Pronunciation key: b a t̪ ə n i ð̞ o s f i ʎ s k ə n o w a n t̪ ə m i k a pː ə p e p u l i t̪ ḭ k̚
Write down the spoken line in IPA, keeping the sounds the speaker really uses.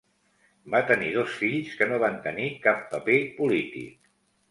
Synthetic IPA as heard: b a t̪ ə n i ð̞ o s f i ʎ s k ə n o β a n t̪ ə n i k a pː ə p e p u l i t̪ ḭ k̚